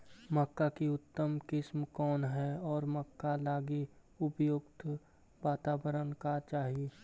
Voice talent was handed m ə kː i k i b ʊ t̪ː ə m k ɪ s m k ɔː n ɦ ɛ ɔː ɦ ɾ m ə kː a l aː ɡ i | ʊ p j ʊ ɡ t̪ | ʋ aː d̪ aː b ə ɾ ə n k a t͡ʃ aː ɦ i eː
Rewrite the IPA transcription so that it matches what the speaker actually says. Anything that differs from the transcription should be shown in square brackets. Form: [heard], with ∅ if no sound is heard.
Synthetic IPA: m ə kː [a] k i [∅] ʊ t̪ː ə m k ɪ s m k ɔː n ɦ ɛ ɔː [∅] ɾ m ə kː a l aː ɡ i | ʊ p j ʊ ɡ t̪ | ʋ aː [t̪] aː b ə ɾ ə n k a t͡ʃ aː ɦ i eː